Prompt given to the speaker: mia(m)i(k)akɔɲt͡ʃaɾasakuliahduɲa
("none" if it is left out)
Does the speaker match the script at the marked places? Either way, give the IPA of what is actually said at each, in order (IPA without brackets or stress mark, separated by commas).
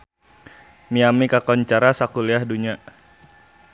m, k